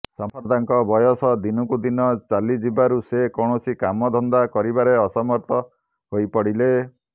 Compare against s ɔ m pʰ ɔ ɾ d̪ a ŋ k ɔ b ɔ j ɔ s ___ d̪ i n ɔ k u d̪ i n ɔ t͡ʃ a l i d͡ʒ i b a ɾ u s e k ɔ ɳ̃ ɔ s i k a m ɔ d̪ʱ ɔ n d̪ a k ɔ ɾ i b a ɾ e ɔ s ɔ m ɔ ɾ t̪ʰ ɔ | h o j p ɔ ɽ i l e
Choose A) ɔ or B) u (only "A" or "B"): A